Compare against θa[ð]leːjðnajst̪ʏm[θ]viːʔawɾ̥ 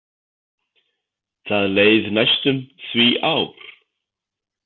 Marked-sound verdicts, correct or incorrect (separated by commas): correct, correct